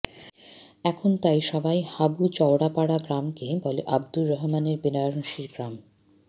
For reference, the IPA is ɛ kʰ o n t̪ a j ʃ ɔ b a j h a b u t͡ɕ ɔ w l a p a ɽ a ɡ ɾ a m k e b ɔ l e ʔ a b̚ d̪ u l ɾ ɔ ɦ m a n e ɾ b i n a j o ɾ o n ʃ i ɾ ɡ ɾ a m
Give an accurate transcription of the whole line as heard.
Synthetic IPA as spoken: ɛ kʰ o n t̪ a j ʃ ɔ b a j h a b u t͡ɕ ɔ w ɽ a p a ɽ a ɡ ɾ a m k e b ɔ l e ʔ a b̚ d̪ u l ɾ ɔ ɦ m a n e ɾ b i n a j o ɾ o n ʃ i ɾ ɡ ɾ a m